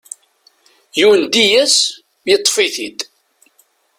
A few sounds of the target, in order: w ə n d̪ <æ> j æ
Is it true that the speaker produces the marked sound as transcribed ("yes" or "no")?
no